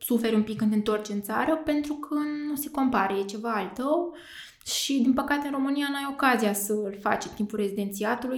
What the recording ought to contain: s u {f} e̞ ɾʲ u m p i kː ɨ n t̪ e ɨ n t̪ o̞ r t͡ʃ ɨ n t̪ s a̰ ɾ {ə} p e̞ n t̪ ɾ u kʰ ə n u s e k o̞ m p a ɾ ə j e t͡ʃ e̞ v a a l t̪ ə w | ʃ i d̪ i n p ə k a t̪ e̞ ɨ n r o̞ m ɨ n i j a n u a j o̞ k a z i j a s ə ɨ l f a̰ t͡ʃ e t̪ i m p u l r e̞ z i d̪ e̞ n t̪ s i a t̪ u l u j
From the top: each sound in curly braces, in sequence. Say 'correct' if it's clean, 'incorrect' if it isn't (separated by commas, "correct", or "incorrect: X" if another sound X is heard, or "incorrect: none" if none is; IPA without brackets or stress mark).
correct, correct